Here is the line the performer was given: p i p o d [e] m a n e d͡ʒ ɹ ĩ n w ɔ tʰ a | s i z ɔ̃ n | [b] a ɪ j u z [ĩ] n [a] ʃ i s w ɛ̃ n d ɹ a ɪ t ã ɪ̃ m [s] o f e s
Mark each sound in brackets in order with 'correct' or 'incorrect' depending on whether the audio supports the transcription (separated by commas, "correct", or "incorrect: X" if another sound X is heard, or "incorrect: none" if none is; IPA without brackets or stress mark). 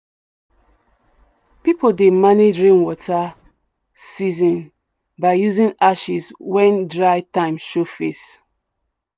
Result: correct, correct, correct, correct, incorrect: ʃ